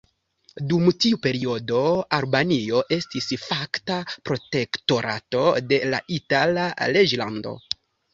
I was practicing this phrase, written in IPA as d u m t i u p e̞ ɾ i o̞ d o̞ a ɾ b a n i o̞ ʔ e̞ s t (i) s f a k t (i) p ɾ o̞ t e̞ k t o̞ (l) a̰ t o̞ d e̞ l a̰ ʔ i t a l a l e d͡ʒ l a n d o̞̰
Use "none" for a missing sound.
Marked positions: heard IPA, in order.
i, a, ɾ

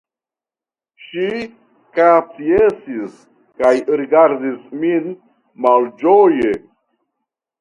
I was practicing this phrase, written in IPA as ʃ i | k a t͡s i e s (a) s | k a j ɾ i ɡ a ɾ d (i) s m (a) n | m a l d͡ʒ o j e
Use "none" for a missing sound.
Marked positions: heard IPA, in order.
i, i, i

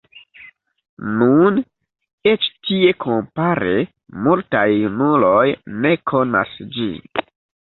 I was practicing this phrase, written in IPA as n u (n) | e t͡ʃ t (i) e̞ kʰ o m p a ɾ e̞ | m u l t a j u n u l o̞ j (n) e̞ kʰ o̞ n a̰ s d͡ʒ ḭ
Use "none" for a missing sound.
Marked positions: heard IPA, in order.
n, i, n

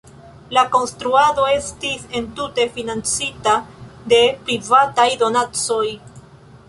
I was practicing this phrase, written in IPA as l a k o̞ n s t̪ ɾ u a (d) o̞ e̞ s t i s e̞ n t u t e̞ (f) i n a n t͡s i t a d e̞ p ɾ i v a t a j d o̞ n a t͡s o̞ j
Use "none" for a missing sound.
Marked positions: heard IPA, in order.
d, f

